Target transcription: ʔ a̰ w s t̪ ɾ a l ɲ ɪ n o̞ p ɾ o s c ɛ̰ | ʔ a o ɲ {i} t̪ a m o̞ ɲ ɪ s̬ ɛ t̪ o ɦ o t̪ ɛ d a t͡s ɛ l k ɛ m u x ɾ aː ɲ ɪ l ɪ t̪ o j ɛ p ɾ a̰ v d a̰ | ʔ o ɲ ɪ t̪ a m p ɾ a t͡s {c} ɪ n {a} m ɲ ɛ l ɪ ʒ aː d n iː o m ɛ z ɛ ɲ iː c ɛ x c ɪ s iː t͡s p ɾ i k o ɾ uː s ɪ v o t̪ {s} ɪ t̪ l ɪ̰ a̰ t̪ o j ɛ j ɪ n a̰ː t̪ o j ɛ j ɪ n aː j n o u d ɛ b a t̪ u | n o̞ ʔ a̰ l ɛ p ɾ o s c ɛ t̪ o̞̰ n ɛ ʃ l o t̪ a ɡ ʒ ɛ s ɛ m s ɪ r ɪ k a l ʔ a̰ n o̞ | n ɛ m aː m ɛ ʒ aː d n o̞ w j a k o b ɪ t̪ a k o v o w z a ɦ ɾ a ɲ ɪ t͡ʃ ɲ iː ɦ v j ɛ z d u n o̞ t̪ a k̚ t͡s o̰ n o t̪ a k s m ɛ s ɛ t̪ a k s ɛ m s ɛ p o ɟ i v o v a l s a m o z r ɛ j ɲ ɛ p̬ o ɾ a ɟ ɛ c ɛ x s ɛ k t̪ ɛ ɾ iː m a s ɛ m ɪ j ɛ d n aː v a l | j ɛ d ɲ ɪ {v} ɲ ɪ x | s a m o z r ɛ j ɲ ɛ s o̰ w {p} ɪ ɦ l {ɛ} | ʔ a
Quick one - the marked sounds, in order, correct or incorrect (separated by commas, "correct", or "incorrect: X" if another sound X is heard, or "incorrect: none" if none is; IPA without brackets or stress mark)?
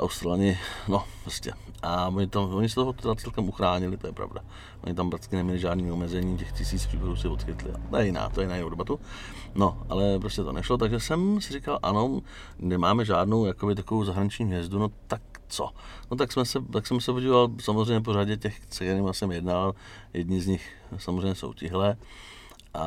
incorrect: ɪ, incorrect: k, incorrect: ɛ, incorrect: x, incorrect: z, incorrect: c, incorrect: ɛː